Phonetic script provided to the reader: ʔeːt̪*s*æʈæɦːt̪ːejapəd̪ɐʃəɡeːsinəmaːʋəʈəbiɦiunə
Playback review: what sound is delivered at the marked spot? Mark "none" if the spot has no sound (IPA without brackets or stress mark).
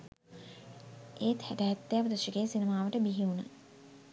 h